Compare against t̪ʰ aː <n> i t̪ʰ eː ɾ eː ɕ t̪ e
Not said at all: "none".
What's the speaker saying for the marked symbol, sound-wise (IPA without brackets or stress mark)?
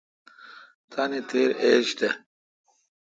n